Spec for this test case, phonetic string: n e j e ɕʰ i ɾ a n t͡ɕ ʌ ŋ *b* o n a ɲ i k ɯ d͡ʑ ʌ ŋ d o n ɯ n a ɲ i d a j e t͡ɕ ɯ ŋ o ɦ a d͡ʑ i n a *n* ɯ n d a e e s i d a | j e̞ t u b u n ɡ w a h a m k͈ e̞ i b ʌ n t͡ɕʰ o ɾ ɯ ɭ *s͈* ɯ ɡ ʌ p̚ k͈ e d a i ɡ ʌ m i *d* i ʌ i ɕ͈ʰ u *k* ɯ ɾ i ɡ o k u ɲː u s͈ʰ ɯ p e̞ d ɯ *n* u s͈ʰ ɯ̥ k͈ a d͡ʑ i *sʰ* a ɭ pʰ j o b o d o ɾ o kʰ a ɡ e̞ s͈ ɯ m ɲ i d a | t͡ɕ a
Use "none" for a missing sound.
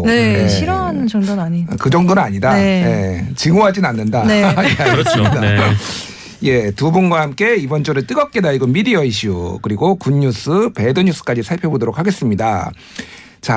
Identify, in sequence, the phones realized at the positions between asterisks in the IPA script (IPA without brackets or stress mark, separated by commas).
d, nː, t͈, d, k, ɲ, sʰ